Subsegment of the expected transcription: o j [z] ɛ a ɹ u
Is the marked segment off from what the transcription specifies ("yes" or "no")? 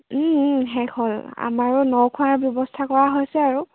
yes